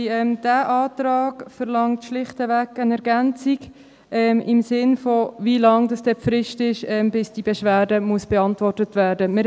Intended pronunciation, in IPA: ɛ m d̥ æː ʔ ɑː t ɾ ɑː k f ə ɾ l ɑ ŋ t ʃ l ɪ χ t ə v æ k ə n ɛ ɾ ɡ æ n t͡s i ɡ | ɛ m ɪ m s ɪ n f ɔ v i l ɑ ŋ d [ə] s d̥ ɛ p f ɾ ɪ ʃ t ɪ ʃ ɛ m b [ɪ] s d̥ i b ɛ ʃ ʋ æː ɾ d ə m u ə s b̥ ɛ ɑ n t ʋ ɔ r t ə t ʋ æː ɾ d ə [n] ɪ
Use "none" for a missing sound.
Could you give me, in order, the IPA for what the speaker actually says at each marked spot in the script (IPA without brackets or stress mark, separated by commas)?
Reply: ɑ, ɪ, m